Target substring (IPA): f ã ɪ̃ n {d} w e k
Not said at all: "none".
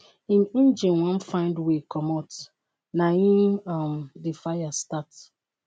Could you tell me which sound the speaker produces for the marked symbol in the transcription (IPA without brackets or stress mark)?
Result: d